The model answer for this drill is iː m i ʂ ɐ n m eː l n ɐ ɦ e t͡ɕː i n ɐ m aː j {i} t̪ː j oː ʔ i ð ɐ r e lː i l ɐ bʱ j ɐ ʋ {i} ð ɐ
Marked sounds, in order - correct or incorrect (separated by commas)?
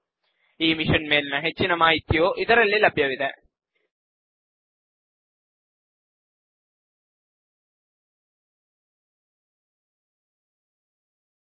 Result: correct, correct